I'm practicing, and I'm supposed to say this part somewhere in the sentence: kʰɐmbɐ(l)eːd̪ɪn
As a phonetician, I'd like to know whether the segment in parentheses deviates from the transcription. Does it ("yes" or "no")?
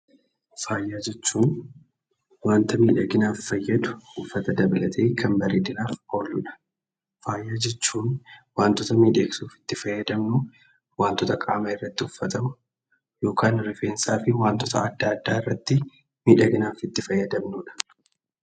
yes